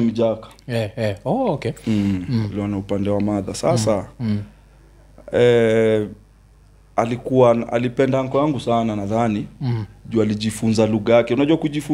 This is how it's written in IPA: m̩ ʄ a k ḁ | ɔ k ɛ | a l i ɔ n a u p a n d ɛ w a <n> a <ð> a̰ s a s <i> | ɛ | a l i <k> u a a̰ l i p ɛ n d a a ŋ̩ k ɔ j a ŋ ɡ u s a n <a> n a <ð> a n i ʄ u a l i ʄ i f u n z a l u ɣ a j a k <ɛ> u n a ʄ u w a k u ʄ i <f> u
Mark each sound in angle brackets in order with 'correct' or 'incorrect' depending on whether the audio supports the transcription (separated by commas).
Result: incorrect, correct, incorrect, correct, correct, correct, correct, correct